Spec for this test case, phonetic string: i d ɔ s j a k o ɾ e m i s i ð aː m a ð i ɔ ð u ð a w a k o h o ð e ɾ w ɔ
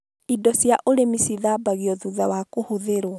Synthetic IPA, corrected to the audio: i d ɔ s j a ʔ o ɾ e m i s i ð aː b a ɣ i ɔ ð u ð a w a k o h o ð e ɾ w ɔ

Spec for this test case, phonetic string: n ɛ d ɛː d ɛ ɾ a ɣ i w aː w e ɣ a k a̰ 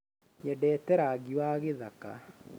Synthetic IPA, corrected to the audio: ɲ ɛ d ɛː t ɛ ɾ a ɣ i w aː ɣ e ð a k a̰

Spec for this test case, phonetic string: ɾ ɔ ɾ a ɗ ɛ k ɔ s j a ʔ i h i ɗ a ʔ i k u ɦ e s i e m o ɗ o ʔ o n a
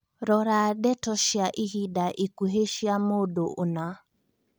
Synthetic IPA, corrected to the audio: ɾ ɔ ɾ a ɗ ɛ t ɔ ʃ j a ʔ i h i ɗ a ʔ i k u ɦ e ʃ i a m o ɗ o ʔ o n a

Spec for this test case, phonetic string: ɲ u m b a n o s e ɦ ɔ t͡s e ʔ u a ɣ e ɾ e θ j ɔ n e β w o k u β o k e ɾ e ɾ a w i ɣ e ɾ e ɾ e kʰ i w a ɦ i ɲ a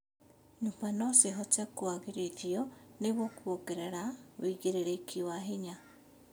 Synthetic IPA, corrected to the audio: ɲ u m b a n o s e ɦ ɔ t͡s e k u a ɣ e ɾ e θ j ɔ n e β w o k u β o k e ɾ e ɾ a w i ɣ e ɾ e ɾ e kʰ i w a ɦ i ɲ a

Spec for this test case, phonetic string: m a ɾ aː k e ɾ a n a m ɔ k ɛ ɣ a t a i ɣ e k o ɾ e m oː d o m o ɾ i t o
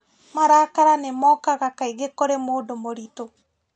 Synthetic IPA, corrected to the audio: m a ɾ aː k a ɾ a n e m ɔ k a ɣ a k a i ɣ e k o ɾ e m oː d o m o ɾ i t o

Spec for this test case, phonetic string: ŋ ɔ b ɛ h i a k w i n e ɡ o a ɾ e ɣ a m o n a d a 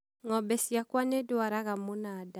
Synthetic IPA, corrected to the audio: ŋ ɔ b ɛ s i a k w a n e d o a ɾ a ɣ a m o n a d a

